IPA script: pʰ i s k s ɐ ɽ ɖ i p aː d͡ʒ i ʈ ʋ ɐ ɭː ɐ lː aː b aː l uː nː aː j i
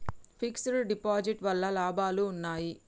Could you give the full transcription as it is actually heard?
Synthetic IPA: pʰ i k s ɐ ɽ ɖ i p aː d͡ʒ i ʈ ʋ ɐ lː ɐ l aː b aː l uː nː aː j i